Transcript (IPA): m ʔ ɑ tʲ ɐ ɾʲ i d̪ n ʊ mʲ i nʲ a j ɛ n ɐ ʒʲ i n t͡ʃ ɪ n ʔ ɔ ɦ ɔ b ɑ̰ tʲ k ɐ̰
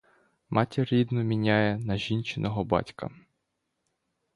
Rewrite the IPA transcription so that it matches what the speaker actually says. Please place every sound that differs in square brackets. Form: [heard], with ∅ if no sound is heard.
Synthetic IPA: m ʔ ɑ tʲ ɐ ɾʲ i d̪ n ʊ mʲ i nʲ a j ɛ n ɐ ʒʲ i n t͡ʃ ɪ n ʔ ɔ ɦ ɔ b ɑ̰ tʲ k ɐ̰